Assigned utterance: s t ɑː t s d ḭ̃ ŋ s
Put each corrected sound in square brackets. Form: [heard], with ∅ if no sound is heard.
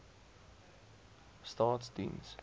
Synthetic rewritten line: s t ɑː t s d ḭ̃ [n] s